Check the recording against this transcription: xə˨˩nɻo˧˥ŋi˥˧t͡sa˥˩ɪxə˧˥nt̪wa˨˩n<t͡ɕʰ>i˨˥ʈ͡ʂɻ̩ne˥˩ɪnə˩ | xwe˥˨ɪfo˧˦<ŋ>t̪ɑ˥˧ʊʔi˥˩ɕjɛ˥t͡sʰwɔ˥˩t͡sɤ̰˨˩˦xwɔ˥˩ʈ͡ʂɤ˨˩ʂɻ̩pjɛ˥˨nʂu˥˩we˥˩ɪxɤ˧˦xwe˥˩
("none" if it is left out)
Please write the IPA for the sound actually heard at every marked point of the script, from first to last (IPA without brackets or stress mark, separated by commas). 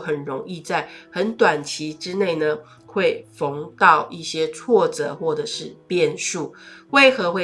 t͡ɕʰ, ŋ